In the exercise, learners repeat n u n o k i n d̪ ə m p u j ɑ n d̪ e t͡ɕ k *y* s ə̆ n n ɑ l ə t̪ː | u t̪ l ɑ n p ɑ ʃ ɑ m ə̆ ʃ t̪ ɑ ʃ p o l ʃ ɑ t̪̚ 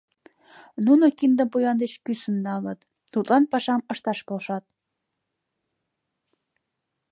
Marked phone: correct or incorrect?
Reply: correct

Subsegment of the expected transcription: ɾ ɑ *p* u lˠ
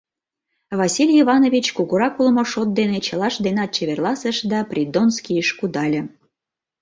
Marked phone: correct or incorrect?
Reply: incorrect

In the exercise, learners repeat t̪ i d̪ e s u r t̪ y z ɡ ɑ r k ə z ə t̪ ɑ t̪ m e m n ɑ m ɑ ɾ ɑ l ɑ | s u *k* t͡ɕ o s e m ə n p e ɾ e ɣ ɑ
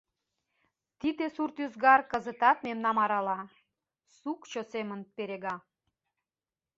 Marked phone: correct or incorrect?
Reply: correct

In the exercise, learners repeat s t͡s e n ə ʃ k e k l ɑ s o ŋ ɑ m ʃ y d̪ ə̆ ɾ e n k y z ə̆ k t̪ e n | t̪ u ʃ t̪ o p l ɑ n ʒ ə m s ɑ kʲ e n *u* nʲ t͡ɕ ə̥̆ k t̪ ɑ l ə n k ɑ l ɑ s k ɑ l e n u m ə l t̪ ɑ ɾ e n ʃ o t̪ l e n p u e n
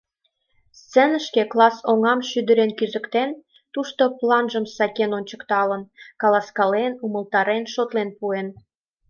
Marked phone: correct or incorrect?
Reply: incorrect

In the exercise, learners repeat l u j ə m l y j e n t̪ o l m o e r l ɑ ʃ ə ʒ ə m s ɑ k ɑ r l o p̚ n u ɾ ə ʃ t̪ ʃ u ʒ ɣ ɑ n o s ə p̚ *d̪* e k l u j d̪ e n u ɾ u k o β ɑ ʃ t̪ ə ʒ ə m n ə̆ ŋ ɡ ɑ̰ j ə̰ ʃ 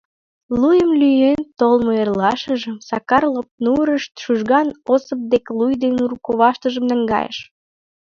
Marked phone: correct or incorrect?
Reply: correct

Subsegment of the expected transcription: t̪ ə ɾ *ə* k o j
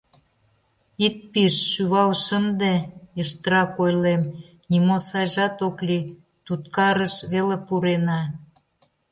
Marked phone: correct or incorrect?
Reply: incorrect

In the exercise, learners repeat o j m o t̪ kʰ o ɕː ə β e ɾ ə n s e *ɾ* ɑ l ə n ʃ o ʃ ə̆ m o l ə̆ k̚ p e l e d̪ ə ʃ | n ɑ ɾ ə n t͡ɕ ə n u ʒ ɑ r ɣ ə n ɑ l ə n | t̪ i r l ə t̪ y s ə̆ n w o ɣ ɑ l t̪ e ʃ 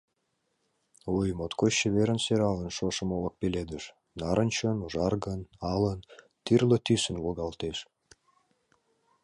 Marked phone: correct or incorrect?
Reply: correct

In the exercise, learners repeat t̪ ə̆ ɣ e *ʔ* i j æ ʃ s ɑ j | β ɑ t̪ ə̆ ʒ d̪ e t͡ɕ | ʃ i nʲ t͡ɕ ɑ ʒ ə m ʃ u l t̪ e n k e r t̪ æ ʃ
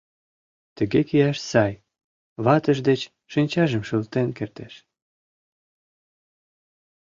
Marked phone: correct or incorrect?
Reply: incorrect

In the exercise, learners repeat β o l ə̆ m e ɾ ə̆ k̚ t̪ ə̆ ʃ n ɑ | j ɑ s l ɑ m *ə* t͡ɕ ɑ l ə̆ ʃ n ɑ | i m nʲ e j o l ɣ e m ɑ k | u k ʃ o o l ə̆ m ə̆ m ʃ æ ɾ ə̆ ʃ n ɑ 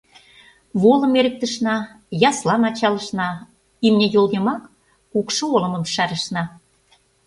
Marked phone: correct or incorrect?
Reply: incorrect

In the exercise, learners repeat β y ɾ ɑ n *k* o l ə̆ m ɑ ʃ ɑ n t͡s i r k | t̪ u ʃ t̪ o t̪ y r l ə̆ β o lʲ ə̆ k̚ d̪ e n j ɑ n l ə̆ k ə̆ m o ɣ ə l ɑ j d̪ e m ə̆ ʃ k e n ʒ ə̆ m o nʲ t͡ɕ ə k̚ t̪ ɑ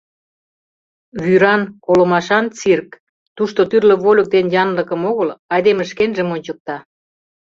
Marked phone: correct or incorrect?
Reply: correct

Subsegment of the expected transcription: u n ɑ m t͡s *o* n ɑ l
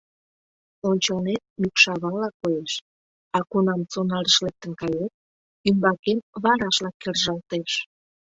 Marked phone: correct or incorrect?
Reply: correct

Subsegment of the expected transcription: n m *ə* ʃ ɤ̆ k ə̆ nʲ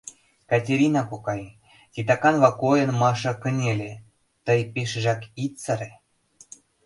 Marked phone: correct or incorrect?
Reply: incorrect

